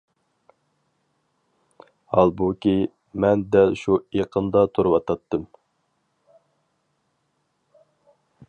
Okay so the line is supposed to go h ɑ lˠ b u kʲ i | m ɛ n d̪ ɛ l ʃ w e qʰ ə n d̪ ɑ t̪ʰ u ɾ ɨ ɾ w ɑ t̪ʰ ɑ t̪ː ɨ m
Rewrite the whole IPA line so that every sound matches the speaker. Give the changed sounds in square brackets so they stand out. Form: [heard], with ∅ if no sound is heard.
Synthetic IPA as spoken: h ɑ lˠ b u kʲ i | m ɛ n d̪ ɛ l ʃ [u] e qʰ ə n d̪ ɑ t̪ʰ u ɾ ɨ [∅] w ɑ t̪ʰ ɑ t̪ː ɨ m